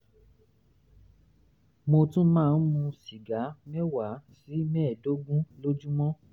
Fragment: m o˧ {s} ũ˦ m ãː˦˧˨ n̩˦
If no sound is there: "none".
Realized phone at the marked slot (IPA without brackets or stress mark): t